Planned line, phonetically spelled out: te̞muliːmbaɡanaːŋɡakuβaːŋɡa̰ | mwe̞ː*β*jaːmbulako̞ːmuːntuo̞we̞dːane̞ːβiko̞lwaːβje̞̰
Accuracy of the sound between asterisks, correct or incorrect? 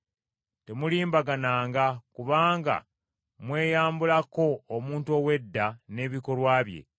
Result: incorrect